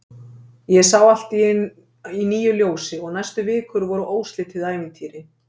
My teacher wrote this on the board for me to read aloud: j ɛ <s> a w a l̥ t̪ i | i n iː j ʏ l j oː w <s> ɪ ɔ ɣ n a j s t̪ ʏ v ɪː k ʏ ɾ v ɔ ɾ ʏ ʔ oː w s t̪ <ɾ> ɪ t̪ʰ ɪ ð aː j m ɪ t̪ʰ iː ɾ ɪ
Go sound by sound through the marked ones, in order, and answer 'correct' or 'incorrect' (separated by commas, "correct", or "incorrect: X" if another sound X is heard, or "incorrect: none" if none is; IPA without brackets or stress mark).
correct, correct, incorrect: l